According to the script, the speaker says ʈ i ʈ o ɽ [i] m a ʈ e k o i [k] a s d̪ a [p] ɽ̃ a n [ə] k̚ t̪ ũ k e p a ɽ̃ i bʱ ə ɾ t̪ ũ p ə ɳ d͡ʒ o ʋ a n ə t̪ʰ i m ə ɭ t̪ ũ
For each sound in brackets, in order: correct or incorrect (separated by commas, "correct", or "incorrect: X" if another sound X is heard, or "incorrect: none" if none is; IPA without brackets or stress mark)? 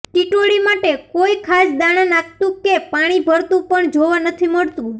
correct, incorrect: kʰ, incorrect: none, incorrect: a